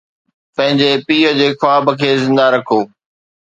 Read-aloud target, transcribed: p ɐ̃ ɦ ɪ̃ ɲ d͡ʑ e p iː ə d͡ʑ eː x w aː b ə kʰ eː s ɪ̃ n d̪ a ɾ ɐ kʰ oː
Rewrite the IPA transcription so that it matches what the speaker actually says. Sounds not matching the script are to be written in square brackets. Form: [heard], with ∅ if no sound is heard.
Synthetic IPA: p ɐ̃ ɦ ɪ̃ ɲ d͡ʑ e p iː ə d͡ʑ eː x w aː b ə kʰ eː [z] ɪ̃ n d̪ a ɾ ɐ kʰ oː